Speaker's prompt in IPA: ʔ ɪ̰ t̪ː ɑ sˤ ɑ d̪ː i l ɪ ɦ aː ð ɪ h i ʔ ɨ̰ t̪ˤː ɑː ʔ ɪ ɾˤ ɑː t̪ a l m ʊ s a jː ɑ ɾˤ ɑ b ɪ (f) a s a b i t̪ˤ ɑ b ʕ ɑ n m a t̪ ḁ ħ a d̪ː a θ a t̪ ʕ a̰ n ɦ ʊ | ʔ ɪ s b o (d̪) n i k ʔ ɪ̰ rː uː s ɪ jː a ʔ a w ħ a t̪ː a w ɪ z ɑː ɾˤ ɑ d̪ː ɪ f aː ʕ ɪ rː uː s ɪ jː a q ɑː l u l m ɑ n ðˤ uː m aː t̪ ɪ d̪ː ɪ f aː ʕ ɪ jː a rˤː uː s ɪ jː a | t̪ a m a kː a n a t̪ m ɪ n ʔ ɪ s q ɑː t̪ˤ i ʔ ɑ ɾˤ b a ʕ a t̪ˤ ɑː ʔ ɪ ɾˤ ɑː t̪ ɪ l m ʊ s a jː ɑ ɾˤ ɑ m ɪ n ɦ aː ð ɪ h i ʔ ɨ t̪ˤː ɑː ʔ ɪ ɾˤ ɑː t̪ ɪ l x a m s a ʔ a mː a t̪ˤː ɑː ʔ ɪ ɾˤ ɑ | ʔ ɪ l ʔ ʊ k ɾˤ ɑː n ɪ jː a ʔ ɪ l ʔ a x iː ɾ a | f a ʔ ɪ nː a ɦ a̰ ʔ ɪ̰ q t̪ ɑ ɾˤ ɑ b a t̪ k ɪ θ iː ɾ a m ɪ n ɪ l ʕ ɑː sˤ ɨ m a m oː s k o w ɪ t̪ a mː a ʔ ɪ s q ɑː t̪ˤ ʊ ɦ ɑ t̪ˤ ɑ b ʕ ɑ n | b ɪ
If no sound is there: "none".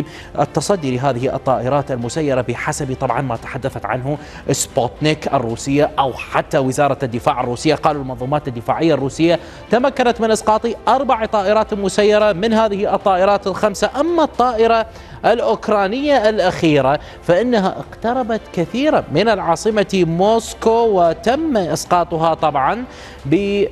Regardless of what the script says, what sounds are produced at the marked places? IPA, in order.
ħ, t̪

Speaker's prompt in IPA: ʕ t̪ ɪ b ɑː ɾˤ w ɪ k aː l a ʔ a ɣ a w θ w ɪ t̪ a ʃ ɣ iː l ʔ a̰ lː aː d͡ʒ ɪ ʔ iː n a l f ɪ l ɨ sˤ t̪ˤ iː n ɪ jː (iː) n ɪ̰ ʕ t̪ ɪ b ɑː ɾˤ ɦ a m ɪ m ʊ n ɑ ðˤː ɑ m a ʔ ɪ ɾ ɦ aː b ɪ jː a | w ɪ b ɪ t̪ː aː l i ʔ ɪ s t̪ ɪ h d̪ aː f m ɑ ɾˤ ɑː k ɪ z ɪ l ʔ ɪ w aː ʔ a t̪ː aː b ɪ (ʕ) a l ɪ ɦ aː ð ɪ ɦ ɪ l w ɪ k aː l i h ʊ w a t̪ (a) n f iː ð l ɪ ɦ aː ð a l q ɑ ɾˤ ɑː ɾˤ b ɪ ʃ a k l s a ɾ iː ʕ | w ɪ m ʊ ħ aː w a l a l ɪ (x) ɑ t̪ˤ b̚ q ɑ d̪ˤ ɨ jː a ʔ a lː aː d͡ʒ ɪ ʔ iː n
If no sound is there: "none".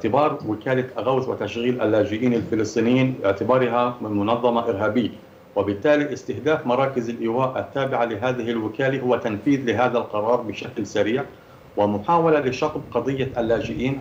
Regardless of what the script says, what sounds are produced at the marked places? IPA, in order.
iː, ʕ, a, ʃ

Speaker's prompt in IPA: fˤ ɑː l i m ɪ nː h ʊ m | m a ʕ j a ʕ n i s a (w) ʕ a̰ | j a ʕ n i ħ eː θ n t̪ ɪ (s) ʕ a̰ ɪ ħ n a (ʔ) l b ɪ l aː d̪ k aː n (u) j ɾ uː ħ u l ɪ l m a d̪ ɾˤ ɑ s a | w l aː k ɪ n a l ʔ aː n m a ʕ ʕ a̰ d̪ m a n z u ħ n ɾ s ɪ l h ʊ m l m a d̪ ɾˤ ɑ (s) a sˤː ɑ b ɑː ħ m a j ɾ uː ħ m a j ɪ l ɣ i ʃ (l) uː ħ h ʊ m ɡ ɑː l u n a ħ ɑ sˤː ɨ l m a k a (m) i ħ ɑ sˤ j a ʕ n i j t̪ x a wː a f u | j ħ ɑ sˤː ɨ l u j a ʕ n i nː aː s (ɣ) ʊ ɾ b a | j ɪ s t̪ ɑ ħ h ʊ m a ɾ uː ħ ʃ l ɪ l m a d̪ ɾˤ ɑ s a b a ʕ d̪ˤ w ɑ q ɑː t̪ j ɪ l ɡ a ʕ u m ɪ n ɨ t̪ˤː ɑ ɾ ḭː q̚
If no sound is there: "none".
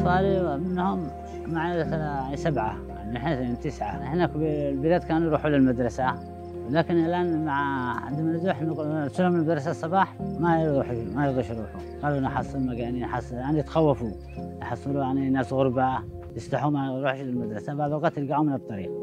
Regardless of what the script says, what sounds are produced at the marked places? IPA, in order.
b, s, k, u, s, ɾ, n, ɣ

